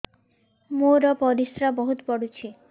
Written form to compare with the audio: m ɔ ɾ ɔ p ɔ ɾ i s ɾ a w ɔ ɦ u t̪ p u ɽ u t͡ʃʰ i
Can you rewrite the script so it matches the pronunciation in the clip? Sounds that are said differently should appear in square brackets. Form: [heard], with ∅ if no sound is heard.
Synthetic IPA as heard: m [o] ɾ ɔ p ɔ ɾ i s ɾ a [b] ɔ ɦ u t̪ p [ɔ] ɽ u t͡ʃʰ i